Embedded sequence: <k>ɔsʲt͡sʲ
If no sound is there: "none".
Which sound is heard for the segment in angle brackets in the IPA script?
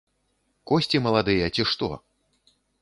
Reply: k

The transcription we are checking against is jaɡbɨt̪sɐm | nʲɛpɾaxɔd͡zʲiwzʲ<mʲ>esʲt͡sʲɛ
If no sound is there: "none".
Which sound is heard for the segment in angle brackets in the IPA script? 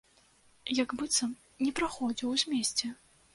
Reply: mʲ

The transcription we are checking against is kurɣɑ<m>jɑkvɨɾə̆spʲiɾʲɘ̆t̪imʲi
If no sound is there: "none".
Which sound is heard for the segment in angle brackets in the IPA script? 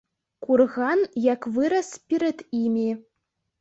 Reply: n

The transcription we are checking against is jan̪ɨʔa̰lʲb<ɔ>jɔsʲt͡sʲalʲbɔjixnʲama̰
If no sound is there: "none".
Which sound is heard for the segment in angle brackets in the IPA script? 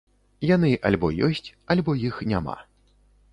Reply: ɔ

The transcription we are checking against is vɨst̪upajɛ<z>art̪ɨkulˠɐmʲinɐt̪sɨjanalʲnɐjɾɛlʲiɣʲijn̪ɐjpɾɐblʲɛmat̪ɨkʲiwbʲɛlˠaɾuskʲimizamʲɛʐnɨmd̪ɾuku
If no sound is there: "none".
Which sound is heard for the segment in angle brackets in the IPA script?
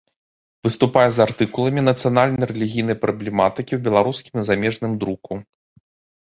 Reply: z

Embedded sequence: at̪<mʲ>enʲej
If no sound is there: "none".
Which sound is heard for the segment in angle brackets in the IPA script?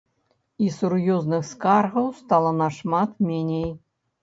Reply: mʲ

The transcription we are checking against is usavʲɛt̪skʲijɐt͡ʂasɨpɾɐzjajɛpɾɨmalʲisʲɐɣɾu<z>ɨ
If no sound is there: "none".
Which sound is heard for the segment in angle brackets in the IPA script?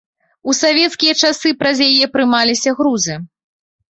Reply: z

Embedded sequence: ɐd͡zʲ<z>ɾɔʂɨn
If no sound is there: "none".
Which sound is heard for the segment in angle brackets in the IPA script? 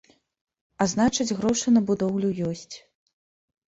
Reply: ɣ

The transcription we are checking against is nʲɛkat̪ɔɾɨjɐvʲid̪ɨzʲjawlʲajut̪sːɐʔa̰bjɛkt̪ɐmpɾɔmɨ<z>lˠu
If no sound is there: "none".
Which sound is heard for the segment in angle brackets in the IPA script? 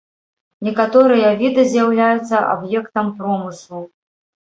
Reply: s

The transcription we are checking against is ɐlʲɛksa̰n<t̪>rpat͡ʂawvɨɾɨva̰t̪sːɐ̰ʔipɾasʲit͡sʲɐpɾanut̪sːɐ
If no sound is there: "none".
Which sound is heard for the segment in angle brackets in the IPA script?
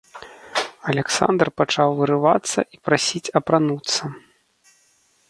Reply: d̪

